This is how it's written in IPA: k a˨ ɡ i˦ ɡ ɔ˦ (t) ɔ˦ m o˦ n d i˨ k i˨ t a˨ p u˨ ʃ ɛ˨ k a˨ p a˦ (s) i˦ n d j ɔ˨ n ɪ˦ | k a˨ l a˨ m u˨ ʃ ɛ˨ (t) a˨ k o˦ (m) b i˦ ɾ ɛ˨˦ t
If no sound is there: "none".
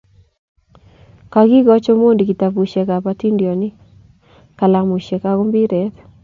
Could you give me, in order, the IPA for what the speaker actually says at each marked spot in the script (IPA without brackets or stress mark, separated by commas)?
t͡ʃ, t, k, m